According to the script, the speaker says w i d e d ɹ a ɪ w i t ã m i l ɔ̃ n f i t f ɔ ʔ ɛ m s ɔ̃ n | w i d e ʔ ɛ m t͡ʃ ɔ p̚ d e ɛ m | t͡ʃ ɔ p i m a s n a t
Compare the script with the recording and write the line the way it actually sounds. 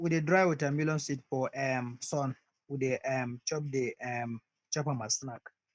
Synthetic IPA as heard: w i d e d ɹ a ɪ w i t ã m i l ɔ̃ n s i t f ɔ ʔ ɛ m s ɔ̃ n | w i d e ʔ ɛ m t͡ʃ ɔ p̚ d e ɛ m | t͡ʃ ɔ p a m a s n a k